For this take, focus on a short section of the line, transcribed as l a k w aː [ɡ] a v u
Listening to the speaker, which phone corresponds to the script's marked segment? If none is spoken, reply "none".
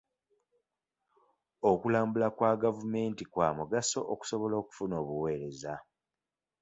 ɡ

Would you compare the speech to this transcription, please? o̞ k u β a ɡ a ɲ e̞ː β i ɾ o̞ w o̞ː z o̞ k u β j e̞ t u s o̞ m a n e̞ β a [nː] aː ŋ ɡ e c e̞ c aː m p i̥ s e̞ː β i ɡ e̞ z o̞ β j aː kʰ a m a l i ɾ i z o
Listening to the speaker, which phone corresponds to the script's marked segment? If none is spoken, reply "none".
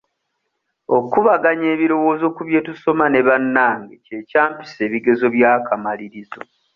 nː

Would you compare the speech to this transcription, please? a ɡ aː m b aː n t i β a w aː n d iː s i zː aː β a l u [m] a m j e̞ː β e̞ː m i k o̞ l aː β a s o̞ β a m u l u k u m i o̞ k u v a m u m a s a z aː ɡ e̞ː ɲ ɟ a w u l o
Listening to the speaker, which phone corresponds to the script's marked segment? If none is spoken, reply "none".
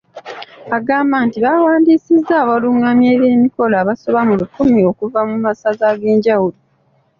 ŋ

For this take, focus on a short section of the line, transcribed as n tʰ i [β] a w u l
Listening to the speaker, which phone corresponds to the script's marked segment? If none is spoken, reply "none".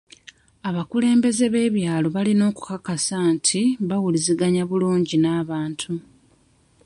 β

